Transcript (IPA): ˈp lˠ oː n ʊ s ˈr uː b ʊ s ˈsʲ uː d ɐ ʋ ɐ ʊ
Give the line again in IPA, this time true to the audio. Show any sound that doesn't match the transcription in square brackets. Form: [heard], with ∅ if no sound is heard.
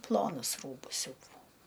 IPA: ˈp lˠ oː n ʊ s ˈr uː b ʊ s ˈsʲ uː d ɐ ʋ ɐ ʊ

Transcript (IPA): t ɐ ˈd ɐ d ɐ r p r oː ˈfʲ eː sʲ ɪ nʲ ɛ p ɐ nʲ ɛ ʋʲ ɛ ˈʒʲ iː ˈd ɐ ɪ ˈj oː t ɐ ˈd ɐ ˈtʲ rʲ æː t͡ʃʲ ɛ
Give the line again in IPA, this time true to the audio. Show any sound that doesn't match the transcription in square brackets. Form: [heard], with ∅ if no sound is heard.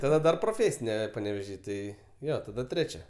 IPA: t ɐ ˈd ɐ d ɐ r p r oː ˈfʲ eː sʲ ɪ nʲ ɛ p ɐ nʲ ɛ ʋʲ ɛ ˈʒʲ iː [ˈt] ɐ ɪ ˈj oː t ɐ ˈd ɐ ˈtʲ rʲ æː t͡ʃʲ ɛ

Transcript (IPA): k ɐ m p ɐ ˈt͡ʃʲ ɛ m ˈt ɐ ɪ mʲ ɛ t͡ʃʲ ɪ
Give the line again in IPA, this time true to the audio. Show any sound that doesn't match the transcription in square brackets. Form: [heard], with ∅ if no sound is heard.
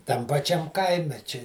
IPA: [t] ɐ m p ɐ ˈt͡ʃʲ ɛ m [ˈk] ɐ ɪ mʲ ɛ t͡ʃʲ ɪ

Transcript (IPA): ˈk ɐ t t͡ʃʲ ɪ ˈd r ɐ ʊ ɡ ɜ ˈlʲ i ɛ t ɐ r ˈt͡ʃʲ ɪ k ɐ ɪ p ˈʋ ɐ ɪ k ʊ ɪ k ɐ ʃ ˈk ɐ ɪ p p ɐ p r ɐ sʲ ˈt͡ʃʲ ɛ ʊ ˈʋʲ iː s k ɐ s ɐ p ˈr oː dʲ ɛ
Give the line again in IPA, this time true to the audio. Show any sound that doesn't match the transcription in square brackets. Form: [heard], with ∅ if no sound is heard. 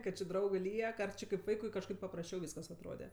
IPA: ˈk ɐ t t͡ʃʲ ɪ ˈd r ɐ ʊ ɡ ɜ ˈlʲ i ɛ [k] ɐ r ˈt͡ʃʲ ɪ k ɐ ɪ p ˈʋ ɐ ɪ k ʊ ɪ k ɐ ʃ ˈk ɐ ɪ p p ɐ p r ɐ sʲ ˈt͡ʃʲ ɛ ʊ ˈʋʲ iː s k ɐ s ɐ [t] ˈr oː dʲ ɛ

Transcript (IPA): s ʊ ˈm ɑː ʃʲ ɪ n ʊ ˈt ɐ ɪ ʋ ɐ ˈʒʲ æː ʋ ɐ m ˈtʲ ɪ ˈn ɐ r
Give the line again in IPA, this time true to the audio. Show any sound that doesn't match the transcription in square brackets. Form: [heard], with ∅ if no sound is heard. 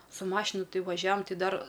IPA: s ʊ ˈm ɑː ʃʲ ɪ n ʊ ˈt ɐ ɪ ʋ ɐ ˈʒʲ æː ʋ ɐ m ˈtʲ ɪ [ˈd] ɐ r

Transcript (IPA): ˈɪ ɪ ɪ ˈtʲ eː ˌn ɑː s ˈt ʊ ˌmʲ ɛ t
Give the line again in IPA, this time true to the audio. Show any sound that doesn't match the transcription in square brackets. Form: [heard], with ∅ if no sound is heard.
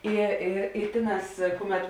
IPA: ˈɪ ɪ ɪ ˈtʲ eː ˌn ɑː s [ˈk] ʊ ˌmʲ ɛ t

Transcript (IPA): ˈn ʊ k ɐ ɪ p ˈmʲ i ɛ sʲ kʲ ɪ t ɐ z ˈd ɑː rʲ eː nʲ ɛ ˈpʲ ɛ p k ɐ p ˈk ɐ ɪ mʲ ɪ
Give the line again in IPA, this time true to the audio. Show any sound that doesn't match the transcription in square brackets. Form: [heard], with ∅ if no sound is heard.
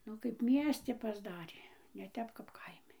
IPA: ˈn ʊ k ɐ ɪ p ˈmʲ i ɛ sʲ [tʲ] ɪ [p] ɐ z ˈd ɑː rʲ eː nʲ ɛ [ˈtʲ] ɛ p k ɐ p ˈk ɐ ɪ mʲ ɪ

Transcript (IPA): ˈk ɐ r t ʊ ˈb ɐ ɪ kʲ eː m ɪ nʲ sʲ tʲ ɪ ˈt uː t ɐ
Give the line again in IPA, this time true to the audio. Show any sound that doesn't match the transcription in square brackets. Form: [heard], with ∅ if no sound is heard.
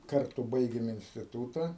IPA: ˈk ɐ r t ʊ ˈb ɐ ɪ [ɡʲ] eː m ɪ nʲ sʲ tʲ ɪ ˈt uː t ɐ

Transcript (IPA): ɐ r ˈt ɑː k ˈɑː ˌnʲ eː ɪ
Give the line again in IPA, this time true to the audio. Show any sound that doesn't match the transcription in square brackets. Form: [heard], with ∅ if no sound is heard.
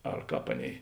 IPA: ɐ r [ˈk] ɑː [p] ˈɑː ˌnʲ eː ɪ

